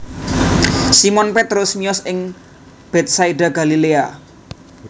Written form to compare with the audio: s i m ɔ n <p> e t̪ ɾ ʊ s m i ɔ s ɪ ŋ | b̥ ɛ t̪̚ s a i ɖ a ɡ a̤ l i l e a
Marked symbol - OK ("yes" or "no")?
yes